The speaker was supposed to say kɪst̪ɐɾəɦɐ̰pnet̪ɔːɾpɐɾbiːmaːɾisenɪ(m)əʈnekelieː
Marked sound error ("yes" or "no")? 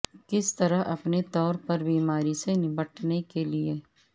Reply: yes